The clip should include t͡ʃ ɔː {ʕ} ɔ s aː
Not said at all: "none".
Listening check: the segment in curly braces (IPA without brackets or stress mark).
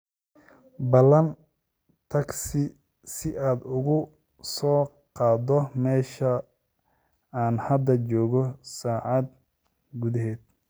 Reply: ɣ